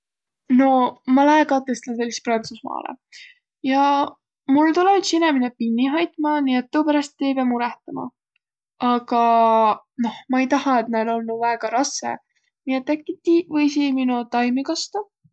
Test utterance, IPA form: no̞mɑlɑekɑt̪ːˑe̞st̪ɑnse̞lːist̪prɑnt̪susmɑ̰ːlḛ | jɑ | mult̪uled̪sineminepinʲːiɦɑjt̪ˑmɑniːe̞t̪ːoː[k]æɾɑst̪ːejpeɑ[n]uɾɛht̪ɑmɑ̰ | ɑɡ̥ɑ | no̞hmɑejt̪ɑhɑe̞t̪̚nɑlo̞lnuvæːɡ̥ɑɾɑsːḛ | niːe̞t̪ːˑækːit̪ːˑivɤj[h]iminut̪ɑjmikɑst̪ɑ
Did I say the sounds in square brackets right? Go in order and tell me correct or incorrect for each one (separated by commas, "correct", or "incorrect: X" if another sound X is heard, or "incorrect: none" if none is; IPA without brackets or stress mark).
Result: incorrect: p, incorrect: m, incorrect: s